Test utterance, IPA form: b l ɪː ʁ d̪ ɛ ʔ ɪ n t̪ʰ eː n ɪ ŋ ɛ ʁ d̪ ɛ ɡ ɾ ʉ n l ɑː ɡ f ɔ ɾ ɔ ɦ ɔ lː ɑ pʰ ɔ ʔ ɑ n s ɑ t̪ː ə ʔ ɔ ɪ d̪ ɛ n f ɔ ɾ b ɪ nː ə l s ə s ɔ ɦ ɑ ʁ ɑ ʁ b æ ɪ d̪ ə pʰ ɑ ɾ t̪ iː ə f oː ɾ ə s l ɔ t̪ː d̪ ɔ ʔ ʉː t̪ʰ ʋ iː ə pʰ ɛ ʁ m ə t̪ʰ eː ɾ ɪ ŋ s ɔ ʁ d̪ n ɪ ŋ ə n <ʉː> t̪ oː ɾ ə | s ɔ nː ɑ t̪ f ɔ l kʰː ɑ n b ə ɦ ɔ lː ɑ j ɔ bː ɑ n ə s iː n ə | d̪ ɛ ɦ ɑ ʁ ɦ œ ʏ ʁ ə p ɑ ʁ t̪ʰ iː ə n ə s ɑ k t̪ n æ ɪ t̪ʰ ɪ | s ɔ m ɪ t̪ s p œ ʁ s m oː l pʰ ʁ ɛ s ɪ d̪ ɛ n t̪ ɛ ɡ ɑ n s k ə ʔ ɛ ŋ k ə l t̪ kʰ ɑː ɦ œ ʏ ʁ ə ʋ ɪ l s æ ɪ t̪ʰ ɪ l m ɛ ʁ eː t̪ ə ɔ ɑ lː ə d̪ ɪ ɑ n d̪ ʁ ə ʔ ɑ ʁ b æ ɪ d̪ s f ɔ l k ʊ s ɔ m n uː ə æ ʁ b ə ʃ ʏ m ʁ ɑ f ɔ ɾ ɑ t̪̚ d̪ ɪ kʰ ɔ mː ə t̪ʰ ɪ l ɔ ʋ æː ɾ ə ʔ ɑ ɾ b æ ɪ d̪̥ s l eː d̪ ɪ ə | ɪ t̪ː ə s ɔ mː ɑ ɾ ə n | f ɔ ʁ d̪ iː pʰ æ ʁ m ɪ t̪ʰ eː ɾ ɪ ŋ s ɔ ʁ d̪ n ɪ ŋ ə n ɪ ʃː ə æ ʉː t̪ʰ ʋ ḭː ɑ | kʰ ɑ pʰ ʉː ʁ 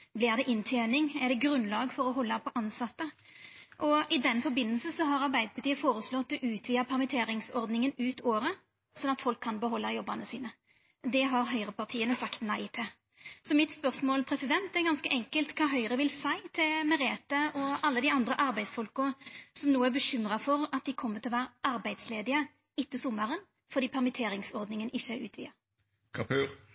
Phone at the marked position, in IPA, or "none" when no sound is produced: ʉː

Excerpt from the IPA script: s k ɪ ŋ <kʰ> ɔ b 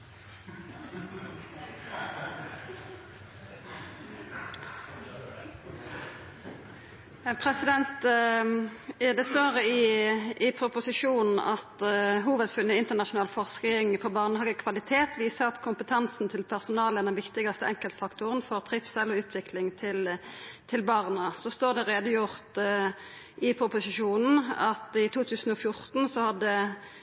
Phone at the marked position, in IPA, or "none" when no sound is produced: pʰ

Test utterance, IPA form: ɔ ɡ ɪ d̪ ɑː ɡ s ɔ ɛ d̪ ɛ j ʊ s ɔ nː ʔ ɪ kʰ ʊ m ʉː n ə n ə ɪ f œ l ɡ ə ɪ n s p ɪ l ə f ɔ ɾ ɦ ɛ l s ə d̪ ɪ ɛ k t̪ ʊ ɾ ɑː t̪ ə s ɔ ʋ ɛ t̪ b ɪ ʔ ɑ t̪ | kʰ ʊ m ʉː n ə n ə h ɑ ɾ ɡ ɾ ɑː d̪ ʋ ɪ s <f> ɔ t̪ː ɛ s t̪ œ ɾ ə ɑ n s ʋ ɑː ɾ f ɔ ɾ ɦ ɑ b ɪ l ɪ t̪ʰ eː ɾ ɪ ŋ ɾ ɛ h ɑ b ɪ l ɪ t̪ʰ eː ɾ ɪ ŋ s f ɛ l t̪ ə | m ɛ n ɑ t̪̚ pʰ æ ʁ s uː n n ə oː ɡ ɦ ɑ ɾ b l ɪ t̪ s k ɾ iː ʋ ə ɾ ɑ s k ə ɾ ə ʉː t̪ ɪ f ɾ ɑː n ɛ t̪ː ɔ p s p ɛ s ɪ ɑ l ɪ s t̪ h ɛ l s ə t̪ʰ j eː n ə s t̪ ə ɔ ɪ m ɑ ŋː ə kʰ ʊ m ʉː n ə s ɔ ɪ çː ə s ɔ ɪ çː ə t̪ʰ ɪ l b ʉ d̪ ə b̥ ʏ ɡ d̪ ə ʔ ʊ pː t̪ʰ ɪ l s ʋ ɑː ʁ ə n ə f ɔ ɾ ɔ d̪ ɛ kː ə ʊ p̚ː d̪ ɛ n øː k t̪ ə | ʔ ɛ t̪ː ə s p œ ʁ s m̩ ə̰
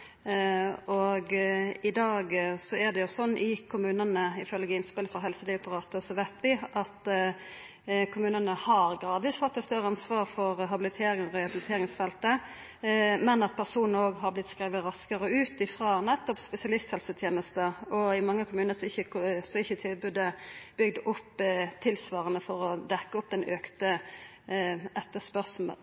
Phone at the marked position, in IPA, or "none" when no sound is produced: f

